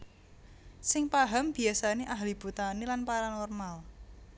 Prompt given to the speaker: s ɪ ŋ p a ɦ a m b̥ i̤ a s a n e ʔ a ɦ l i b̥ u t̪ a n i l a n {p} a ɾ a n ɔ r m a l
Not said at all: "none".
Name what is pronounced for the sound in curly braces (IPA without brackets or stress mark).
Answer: p